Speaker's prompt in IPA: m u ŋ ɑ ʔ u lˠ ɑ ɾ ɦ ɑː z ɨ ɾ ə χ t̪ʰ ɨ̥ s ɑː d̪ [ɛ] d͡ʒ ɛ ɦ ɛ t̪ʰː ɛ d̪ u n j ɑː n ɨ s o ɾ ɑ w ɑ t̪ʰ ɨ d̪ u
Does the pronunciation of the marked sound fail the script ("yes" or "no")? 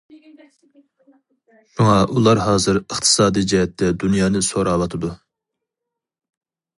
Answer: yes